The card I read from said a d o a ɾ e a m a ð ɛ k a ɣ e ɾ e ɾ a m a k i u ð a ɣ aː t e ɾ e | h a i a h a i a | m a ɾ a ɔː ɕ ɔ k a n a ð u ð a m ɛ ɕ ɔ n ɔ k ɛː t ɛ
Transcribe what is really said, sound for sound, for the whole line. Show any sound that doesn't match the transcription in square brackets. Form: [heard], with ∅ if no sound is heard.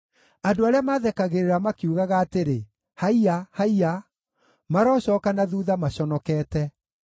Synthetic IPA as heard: a d o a ɾ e a m a ð ɛ k a ɣ e ɾ e ɾ a m a k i u [ɣ] a ɣ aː t e ɾ e | h a i a h a i a | m a ɾ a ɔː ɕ ɔ k a n a ð u ð a m [a] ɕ ɔ n ɔ k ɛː t ɛ